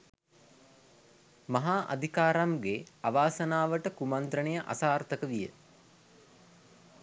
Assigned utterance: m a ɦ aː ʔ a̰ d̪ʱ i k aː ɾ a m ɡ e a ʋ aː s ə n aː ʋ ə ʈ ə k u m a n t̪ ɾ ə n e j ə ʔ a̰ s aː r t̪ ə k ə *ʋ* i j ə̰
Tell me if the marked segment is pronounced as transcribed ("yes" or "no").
yes